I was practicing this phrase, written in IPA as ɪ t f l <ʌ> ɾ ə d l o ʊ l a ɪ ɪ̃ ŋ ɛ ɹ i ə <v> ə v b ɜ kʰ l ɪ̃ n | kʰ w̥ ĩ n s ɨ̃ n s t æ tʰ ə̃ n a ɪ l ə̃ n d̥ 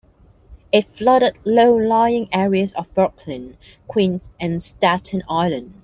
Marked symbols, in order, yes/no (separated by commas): yes, no